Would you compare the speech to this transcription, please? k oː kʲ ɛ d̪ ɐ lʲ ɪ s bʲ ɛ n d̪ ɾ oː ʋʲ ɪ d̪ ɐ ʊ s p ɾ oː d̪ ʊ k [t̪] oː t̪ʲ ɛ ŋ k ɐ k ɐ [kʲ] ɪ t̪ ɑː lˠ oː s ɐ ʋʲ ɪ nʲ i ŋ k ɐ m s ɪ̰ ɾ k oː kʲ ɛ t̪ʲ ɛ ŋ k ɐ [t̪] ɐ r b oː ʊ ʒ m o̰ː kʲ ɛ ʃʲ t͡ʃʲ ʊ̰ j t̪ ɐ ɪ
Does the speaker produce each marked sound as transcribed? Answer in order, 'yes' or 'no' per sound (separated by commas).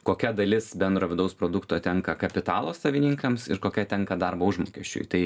yes, no, no